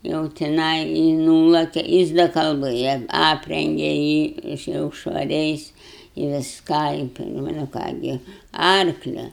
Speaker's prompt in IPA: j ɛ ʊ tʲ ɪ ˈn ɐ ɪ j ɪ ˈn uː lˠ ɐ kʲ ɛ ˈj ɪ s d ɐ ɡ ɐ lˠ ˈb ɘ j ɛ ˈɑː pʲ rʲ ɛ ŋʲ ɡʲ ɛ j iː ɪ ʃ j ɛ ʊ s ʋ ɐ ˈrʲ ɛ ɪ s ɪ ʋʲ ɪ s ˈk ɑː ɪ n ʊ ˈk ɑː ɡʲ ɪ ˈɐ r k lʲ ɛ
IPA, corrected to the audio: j ɛ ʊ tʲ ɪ ˈn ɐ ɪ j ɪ ˈn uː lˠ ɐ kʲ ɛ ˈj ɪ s d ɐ k ɐ lˠ ˈb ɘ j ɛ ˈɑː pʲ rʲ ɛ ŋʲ ɡʲ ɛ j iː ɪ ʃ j ɛ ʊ ʃ ʋ ɐ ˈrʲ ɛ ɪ s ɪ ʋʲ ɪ s ˈk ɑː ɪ n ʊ ˈk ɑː ɡʲ ɪ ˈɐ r k lʲ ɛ